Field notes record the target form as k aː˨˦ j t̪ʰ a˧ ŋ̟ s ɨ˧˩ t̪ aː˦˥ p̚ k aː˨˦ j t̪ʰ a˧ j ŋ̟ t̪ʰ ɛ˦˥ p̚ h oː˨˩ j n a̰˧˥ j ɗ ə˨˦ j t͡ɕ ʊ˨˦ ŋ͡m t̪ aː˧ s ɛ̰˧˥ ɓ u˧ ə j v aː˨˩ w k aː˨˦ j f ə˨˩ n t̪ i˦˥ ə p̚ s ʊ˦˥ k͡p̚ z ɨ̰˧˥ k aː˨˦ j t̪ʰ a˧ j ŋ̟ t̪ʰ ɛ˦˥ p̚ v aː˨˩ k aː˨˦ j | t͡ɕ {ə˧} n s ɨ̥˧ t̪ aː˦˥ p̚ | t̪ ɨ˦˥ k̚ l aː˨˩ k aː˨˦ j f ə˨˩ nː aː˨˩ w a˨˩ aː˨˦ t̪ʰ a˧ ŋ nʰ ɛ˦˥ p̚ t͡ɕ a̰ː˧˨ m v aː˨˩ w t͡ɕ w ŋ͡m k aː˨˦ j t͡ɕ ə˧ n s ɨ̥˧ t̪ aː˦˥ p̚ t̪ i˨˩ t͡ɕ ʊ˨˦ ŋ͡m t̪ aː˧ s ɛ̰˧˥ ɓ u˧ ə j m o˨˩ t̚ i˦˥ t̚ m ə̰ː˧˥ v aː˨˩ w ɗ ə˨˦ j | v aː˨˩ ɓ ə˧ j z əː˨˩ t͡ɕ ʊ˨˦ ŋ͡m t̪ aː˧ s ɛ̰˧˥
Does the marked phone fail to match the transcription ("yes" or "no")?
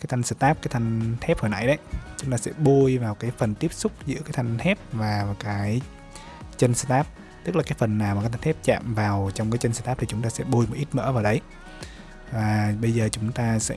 no